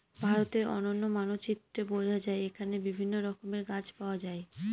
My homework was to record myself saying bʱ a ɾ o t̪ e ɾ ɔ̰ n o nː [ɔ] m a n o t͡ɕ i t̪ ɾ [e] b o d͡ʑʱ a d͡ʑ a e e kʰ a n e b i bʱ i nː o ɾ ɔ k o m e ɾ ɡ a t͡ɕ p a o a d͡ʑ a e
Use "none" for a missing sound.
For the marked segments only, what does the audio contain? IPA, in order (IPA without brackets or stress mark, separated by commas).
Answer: o, e